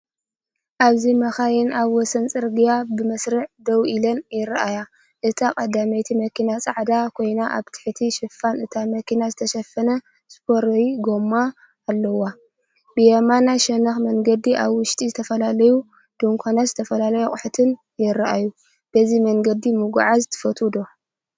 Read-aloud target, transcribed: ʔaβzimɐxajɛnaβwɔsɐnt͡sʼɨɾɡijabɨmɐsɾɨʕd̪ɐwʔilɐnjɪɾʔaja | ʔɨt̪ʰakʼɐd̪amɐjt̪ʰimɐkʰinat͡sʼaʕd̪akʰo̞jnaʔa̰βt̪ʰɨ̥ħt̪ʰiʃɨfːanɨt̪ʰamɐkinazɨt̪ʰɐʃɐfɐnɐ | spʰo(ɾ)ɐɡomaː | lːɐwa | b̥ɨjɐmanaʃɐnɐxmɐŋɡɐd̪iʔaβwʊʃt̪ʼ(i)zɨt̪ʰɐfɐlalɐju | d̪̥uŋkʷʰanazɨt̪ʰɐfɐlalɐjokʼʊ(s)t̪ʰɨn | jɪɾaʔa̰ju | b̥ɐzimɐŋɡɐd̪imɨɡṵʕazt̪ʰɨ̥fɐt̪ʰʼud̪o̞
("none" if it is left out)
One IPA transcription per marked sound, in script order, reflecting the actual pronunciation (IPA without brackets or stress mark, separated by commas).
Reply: ɾ, i, ħ